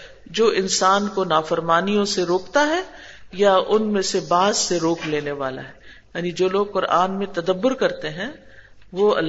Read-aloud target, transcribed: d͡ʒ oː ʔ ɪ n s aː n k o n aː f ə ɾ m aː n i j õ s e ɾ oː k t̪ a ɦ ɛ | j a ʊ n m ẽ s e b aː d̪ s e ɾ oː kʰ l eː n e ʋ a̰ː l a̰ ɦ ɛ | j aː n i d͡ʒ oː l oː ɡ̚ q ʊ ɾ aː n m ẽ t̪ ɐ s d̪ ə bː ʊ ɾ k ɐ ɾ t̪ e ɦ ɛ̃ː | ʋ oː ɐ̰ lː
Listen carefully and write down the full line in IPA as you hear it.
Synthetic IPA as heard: d͡ʒ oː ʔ ɪ n s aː n k o n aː f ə ɾ m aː n i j õ s e ɾ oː k t̪ a ɦ ɛ | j a ʊ n m ẽ s e b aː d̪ s e ɾ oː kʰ l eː n e ʋ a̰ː l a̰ ɦ ɛ | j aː n i d͡ʒ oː l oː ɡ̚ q ʊ ɾ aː n m ẽ t̪ ɐ d̪ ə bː ʊ ɾ k ɐ ɾ t̪ e ɦ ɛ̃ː | ʋ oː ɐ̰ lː